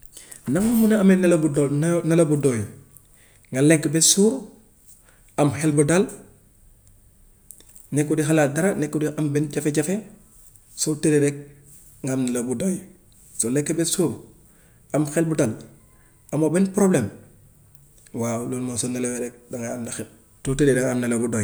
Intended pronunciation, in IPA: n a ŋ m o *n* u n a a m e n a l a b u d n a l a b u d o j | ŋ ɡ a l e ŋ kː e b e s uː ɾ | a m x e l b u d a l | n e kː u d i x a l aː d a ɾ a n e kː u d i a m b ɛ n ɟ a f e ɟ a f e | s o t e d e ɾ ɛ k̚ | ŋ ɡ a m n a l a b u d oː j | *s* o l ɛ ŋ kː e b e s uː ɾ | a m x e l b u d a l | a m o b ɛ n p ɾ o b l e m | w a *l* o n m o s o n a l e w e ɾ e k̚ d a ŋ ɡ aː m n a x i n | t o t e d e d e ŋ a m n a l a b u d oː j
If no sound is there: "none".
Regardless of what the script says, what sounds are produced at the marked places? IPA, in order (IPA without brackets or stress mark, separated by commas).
m, s, l